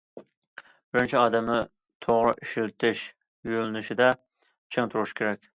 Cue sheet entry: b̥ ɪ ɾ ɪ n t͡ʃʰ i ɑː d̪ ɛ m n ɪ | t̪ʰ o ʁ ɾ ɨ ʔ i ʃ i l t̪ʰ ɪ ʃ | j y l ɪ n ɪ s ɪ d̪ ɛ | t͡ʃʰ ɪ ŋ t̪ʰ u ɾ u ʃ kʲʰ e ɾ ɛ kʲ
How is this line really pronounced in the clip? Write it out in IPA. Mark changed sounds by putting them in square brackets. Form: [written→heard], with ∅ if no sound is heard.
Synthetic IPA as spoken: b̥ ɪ ɾ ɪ n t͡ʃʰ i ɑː d̪ ɛ m n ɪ | t̪ʰ o ʁ ɾ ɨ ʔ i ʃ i l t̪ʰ ɪ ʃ | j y l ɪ n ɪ [s→ʃ] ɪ d̪ ɛ | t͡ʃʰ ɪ ŋ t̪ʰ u ɾ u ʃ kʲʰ e ɾ ɛ kʲ